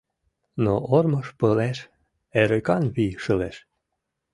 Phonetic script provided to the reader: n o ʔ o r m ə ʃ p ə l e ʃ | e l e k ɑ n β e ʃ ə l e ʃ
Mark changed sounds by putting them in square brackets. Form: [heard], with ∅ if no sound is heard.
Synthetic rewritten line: n o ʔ o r m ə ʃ p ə l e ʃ | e [ɾ] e k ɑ n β [i] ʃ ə l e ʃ

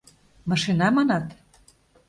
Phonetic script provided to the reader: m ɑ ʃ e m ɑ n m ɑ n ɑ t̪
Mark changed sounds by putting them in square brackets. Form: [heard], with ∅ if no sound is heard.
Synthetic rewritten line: m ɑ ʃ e [n] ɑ [∅] m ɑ n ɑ t̪

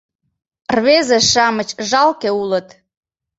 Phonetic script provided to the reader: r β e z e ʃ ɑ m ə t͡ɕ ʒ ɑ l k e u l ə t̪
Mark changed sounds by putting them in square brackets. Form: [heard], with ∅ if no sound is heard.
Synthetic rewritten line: r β e z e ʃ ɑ m ə t͡ɕ ʒ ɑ l k e u l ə t̪

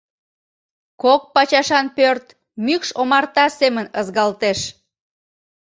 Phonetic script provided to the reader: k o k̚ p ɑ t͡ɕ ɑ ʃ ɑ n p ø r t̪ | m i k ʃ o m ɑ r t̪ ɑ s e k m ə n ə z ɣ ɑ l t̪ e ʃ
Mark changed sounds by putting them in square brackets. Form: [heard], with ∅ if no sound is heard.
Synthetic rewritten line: k o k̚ p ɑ t͡ɕ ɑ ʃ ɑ n p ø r t̪ | m [y] k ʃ o m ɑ r t̪ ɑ s e [∅] m ə n ə z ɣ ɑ l t̪ e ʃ

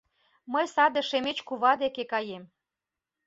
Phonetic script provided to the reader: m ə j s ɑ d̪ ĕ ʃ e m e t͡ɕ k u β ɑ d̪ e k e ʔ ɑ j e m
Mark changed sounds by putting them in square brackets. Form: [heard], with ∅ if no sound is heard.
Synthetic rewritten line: m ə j s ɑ d̪ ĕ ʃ e m e t͡ɕ k u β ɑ d̪ e k e [k] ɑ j e m

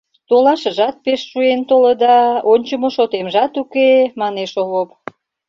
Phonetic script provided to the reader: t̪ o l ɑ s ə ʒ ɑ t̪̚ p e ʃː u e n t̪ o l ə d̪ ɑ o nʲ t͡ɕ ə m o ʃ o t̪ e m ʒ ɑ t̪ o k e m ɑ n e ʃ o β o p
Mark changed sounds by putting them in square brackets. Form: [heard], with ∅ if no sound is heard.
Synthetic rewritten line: t̪ o l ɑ [ʃ] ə ʒ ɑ t̪̚ p e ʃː u e n t̪ o l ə d̪ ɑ o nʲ t͡ɕ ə m o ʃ o t̪ e m ʒ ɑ t̪ [u] k e m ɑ n e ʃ o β o p

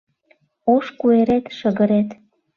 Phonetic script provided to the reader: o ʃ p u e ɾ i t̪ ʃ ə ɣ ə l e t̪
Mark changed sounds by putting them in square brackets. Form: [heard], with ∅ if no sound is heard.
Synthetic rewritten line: o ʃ [k] u e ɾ [e] t̪ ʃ ə ɣ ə [ɾ] e t̪

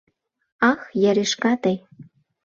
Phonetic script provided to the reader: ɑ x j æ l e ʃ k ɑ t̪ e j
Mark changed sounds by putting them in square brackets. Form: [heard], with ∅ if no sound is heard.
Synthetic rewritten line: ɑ x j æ [ɾ] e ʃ k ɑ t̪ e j

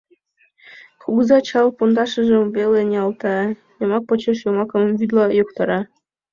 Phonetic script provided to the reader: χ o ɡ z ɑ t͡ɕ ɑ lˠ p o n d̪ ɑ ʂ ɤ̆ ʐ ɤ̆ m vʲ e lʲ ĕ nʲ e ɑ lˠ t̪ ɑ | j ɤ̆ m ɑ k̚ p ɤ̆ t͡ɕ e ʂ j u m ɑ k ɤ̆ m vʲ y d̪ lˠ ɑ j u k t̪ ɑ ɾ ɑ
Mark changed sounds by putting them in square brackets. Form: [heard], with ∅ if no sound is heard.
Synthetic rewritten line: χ [u] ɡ z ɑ t͡ɕ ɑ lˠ p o n d̪ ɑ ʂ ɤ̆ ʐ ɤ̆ m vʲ e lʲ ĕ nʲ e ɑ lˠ t̪ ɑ | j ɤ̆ m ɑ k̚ p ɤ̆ t͡ɕ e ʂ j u m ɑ k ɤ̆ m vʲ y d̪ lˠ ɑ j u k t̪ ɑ ɾ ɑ

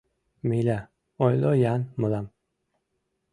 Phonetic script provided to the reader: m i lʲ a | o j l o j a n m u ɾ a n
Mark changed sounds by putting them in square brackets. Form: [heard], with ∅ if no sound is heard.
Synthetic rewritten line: m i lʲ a | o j l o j a n m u [l] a [m]

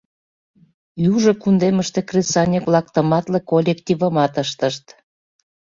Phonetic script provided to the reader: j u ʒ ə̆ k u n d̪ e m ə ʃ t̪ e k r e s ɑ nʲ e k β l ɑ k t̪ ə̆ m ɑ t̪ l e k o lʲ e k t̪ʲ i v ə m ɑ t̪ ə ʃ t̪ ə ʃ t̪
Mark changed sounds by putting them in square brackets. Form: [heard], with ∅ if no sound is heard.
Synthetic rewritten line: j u ʒ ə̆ k u n d̪ e m ə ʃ t̪ e k r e s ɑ nʲ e k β l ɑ k t̪ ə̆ m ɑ t̪ l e k o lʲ e k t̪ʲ i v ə m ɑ t̪ ə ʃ t̪ ə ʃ t̪

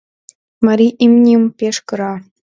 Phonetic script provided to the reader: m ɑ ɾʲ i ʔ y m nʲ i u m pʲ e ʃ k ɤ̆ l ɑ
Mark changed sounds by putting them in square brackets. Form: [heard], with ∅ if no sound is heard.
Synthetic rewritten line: m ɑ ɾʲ i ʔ [i] m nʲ i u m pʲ e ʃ k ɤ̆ [ɾ] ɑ

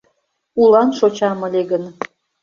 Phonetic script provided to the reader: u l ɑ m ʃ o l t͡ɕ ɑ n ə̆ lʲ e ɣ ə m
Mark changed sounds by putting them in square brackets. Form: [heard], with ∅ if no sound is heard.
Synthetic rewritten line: u l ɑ [n] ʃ o [∅] t͡ɕ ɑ [m] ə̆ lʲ e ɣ ə [n]

